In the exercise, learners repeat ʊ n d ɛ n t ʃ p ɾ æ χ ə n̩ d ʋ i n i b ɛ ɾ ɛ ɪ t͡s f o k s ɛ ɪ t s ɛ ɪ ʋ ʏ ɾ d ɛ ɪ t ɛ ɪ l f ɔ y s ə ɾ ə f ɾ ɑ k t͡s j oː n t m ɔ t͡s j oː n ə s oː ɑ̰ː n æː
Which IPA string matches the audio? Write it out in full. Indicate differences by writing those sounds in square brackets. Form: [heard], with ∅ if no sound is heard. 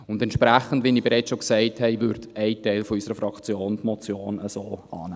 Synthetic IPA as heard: ʊ n d ɛ n t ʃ p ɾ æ χ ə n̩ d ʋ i n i b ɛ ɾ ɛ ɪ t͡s [ʃ] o k s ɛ ɪ t [h] ɛ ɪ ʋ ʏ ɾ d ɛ ɪ t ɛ ɪ l f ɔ y s ə ɾ ə f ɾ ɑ k t͡s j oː n t m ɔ t͡s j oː n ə s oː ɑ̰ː n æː